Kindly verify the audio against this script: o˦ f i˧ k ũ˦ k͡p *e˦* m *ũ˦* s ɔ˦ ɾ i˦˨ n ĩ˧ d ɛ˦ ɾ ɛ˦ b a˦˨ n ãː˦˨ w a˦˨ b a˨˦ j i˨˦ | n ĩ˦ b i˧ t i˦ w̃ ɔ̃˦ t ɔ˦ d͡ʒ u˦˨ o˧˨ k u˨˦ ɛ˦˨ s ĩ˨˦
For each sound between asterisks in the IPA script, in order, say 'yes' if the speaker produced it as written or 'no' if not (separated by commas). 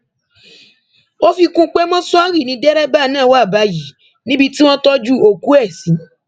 yes, no